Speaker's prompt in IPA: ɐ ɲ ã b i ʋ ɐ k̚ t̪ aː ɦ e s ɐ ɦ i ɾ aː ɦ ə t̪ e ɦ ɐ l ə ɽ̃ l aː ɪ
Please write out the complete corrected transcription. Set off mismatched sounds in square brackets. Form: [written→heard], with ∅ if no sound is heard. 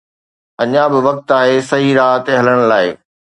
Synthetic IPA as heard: ɐ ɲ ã b [i→ɪ] ʋ ɐ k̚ t̪ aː ɦ e s ɐ ɦ i ɾ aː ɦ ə t̪ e ɦ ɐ l ə ɽ̃ l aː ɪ